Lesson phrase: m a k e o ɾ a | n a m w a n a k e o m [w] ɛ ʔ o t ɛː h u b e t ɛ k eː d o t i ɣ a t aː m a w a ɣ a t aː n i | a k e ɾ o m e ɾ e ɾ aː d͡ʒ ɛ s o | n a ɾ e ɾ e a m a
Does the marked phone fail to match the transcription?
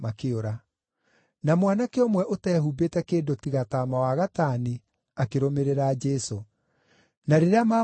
no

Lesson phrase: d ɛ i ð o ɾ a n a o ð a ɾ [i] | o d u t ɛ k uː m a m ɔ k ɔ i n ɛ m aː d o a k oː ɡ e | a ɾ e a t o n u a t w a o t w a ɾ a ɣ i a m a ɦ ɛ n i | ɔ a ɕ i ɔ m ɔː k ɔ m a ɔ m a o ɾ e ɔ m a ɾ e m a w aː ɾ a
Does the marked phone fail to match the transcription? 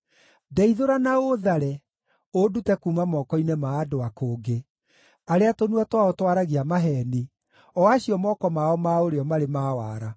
yes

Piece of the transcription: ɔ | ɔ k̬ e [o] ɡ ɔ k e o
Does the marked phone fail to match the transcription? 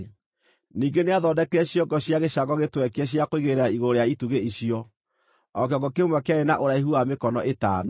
yes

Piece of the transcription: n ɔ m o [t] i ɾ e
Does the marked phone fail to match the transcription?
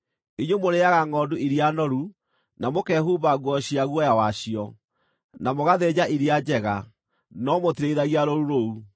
no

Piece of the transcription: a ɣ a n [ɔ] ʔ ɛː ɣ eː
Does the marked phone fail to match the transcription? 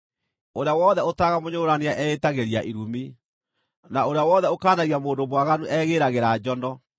yes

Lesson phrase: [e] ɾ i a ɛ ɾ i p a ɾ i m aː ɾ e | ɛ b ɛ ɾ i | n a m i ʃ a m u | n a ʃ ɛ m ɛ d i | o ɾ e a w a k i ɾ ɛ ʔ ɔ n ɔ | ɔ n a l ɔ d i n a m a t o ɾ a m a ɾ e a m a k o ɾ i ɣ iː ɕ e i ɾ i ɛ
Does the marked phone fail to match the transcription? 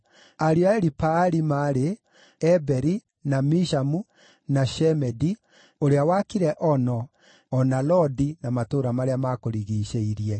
yes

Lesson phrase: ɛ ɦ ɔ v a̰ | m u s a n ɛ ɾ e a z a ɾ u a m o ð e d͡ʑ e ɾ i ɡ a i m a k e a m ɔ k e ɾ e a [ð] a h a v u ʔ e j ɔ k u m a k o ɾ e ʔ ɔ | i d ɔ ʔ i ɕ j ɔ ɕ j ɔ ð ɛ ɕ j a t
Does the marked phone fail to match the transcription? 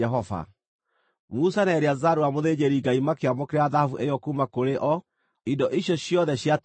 no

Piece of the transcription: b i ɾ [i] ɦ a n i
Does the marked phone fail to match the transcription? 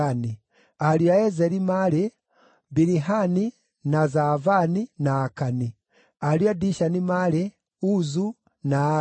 no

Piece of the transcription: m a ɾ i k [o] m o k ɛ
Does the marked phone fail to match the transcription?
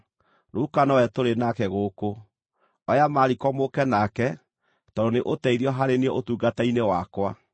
yes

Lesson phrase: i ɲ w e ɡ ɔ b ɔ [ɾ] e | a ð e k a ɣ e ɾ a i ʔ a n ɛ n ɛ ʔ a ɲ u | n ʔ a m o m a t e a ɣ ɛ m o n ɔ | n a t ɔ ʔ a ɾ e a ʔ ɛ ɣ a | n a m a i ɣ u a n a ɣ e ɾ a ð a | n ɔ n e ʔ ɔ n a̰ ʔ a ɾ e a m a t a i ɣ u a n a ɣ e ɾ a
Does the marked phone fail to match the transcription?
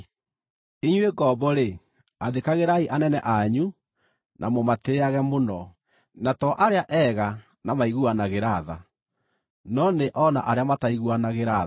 no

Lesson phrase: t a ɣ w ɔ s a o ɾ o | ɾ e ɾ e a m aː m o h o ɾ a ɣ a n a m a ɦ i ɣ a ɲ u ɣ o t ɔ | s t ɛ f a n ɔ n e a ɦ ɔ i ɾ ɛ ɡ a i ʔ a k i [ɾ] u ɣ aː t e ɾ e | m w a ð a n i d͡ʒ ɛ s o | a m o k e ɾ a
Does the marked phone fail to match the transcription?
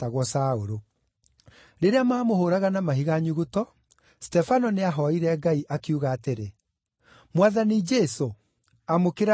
yes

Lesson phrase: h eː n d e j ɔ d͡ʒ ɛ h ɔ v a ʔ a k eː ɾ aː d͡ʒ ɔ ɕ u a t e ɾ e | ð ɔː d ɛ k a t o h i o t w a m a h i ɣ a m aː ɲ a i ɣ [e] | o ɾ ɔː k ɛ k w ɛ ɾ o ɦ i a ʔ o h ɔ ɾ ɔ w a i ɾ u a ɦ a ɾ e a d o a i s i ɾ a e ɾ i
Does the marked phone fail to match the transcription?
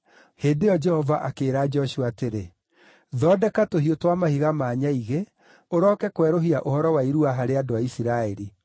no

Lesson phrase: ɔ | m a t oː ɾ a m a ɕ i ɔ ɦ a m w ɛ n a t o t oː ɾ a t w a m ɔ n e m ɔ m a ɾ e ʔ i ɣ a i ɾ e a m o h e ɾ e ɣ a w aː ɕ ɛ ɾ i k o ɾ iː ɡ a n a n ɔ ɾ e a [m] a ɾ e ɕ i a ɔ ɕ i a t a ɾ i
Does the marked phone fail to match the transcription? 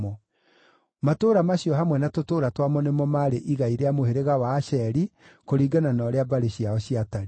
yes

